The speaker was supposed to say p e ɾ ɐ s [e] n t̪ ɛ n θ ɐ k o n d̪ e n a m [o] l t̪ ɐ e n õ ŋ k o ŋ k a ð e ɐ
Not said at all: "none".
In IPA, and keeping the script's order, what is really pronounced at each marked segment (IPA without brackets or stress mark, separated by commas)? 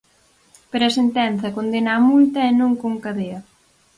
e, u